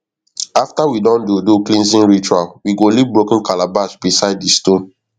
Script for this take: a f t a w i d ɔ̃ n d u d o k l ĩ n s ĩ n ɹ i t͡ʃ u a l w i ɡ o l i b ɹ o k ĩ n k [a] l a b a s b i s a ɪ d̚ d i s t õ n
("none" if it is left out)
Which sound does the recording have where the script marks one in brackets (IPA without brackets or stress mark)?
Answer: a